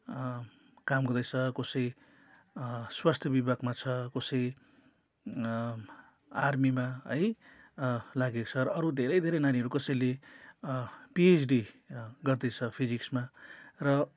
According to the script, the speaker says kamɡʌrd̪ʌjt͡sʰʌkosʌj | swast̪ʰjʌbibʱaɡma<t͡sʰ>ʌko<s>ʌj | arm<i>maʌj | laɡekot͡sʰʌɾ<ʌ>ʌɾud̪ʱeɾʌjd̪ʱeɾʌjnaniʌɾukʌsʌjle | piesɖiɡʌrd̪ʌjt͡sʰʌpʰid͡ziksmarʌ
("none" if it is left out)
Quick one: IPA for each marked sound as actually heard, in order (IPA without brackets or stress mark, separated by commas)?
t͡sʰ, s, i, ʌ